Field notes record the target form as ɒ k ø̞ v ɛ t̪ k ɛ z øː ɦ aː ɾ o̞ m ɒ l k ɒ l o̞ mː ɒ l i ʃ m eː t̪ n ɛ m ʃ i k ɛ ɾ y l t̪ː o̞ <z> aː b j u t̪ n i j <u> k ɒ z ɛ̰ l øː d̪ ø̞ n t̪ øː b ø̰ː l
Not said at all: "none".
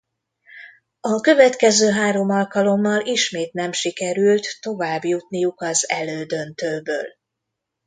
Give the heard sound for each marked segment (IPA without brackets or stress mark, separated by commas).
v, u